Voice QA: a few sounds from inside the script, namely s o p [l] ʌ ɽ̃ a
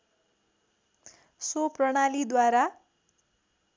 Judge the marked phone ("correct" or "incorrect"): incorrect